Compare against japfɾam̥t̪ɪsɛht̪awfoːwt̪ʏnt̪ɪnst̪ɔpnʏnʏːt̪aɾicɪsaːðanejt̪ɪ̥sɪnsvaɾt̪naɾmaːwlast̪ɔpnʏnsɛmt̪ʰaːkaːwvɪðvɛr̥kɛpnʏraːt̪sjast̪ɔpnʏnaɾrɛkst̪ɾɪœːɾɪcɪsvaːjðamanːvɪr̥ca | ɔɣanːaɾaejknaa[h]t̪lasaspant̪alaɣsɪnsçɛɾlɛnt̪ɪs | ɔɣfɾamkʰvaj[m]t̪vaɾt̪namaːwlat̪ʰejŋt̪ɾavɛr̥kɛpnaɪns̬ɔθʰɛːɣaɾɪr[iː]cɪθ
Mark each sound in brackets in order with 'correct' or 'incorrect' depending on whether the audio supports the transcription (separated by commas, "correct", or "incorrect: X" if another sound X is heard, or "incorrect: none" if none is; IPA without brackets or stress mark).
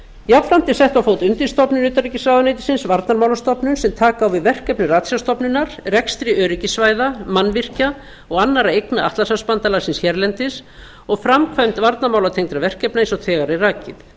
correct, correct, incorrect: aː